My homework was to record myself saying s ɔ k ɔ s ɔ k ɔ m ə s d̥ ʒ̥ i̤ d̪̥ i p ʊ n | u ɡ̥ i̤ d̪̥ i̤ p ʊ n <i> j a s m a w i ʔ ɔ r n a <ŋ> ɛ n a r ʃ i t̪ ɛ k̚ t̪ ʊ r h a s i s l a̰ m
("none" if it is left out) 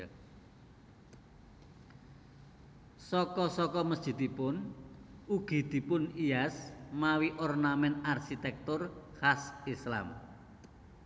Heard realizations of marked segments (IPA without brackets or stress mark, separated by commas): i, m